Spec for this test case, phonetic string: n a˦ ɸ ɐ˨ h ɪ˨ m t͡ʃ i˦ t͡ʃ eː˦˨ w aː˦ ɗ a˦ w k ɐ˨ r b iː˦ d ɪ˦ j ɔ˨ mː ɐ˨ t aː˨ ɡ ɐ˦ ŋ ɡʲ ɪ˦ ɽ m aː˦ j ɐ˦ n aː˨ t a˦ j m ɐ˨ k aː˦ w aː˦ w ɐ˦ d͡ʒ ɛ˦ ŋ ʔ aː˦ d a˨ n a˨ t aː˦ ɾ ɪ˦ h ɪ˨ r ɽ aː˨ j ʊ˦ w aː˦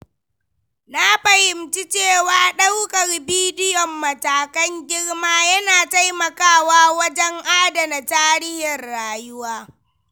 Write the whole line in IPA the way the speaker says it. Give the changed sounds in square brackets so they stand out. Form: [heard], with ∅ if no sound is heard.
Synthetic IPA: n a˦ ɸ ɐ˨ h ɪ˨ m t͡ʃ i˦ t͡ʃ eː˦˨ w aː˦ ɗ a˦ w k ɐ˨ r b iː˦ d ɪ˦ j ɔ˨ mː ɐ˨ t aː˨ [k] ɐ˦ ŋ ɡʲ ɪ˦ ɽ m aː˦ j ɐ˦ n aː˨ t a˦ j m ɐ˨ k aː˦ w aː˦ w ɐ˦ d͡ʒ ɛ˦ ŋ ʔ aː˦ d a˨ n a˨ t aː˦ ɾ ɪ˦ h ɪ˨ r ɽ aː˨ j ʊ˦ w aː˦

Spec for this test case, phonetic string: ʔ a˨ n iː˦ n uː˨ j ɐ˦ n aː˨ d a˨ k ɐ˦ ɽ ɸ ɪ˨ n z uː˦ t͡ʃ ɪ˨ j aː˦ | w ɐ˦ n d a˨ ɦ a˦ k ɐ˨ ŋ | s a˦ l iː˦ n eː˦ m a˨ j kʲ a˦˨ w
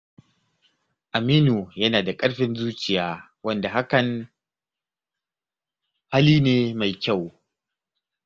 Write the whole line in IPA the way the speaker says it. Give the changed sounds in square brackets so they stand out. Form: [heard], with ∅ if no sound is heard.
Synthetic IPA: ʔ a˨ [m] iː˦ n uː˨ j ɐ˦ n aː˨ d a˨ [kʼ] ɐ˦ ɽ ɸ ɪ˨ n z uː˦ t͡ʃ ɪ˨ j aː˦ | w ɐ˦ n d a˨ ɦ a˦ k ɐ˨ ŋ | [h] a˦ l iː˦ n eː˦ m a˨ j kʲ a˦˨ w

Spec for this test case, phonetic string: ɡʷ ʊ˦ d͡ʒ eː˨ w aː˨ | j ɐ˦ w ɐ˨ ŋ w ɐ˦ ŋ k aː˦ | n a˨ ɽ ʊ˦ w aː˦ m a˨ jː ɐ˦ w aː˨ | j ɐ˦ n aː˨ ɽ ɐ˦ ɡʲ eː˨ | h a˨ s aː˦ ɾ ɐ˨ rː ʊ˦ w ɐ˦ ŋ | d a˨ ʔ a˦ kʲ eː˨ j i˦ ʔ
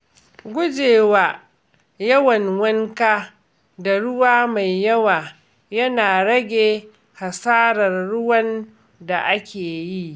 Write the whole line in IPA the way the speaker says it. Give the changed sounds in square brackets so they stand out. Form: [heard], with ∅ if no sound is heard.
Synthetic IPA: ɡʷ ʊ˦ d͡ʒ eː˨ w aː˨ | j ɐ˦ w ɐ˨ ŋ w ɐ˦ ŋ k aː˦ | [d] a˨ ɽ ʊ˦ w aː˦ m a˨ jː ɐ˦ w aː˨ | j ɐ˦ n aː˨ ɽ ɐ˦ ɡʲ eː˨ | h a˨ s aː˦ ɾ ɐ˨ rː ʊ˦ w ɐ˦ [n] | d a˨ ʔ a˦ kʲ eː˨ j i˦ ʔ

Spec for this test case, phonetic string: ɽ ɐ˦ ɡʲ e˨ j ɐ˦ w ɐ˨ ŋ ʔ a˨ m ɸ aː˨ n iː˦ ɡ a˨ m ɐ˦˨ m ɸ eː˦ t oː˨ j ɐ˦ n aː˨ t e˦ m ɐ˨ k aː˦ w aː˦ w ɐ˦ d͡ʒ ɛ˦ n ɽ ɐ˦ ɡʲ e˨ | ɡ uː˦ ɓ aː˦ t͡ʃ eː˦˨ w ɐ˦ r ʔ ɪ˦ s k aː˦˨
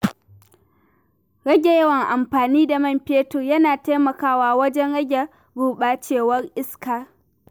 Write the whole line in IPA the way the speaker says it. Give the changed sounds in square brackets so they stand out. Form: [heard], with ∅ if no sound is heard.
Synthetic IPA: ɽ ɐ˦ ɡʲ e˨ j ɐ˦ w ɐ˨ ŋ ʔ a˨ m ɸ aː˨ n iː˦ [d] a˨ m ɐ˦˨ m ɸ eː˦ t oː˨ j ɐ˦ n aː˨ t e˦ m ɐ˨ k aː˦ w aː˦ w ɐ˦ d͡ʒ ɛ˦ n ɽ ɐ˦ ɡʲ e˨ | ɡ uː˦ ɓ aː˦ t͡ʃ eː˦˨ w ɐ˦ r ʔ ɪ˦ s k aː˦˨

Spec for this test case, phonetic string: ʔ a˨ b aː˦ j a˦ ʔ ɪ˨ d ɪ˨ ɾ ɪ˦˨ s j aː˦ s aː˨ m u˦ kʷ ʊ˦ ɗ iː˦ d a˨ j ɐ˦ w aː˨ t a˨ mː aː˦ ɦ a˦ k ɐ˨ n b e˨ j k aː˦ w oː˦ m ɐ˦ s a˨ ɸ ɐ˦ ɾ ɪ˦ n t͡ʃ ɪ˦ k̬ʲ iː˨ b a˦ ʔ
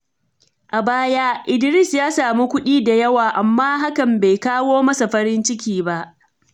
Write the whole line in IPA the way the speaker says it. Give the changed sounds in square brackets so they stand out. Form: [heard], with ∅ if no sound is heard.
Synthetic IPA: ʔ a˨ b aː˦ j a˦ ʔ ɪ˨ d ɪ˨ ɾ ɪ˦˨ s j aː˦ s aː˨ m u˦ kʷ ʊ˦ ɗ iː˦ d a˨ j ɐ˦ w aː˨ [ʔ] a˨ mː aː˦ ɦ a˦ k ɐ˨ [m] b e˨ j k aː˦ w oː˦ m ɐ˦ s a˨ ɸ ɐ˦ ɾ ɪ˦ n t͡ʃ ɪ˦ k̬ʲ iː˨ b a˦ ʔ

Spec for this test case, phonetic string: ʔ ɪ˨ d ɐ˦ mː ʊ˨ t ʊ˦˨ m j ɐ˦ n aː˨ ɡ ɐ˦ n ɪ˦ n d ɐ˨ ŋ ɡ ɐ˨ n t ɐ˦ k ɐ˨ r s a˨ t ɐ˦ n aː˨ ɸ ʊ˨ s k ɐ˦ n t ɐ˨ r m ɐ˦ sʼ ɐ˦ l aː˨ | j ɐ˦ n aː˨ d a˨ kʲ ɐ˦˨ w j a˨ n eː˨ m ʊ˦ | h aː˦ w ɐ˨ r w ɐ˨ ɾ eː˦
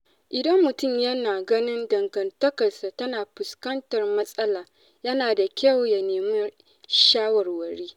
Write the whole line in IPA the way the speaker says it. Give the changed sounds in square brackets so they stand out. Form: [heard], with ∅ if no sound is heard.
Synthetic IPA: ʔ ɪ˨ d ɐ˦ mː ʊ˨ t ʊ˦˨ m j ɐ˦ n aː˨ ɡ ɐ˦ n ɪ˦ n d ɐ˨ ŋ ɡ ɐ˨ n t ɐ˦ k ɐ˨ r s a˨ t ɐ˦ n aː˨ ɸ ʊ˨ s k ɐ˦ n t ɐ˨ r m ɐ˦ sʼ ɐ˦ l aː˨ | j ɐ˦ n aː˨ d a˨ kʲ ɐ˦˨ w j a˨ n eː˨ m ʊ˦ | [ʃ] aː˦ w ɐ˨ r w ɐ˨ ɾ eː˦

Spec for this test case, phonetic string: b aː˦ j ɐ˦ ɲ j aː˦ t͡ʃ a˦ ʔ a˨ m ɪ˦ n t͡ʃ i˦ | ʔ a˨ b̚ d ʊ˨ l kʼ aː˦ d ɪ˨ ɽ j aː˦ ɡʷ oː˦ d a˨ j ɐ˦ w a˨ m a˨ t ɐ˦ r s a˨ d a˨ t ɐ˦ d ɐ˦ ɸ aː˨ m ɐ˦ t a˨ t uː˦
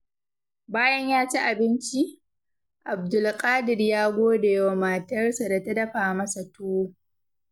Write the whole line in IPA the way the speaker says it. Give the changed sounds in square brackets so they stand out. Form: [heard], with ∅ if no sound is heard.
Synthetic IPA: b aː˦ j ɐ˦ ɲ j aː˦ t͡ʃ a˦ ʔ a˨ [b] ɪ˦ n t͡ʃ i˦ | ʔ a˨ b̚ d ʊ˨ l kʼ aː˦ d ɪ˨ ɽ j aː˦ ɡʷ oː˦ d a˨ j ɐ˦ w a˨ m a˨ t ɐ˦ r s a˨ d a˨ t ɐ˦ d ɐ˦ ɸ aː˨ m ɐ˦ [s] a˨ t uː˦

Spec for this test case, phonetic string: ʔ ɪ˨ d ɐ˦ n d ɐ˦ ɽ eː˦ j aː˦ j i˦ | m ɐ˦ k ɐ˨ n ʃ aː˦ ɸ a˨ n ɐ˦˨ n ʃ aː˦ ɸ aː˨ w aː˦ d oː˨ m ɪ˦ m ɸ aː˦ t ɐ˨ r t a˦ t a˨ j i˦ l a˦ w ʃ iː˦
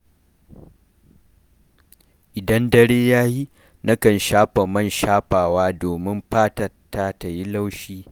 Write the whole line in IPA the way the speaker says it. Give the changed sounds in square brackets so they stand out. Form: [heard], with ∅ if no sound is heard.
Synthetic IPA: ʔ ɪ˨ d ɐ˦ n d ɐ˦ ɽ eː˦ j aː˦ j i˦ | [n] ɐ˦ k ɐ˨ n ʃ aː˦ ɸ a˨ [m] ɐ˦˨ n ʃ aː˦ ɸ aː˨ w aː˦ d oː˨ m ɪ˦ m ɸ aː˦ t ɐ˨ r t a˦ t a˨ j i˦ l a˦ w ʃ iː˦

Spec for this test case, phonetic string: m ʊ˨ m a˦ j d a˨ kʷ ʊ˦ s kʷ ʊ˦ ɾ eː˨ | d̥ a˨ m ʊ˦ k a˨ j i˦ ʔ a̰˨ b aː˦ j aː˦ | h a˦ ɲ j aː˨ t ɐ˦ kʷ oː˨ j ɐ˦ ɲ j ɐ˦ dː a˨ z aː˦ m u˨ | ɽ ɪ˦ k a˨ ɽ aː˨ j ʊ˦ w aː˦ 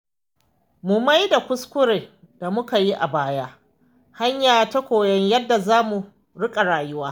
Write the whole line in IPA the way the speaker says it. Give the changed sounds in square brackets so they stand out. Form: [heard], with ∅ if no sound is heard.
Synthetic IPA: m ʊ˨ m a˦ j d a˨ kʷ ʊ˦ s kʷ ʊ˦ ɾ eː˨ | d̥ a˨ m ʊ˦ k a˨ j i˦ ʔ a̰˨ b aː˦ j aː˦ | h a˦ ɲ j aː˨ t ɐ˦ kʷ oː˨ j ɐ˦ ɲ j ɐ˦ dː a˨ z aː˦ m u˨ | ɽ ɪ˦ [kʼ] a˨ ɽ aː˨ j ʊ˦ w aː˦

